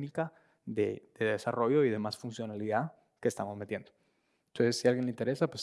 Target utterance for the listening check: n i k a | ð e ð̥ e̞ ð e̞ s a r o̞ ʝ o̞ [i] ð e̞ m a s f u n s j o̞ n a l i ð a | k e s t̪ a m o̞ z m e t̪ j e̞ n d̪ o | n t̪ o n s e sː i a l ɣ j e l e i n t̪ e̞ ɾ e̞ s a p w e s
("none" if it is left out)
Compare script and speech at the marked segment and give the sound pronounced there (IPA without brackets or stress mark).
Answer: i